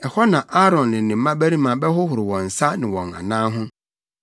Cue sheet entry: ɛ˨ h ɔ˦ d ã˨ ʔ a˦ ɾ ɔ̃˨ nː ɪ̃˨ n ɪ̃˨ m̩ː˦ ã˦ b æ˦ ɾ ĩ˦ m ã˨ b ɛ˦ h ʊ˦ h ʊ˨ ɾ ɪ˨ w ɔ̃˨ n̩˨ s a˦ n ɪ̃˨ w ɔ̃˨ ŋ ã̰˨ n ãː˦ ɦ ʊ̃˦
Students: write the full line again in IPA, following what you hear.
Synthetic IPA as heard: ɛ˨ h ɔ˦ n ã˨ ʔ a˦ ɾ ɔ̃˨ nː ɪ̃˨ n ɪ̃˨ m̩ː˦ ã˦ b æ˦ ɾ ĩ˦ m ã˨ b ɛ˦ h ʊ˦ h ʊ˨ ɾ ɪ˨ w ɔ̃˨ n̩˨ s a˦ n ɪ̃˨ w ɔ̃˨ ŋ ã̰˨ n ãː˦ ɦ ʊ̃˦